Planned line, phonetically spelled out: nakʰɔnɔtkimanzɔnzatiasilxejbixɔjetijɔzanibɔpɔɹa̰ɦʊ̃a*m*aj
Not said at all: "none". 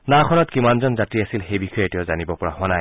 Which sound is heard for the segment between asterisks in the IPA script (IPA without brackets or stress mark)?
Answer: n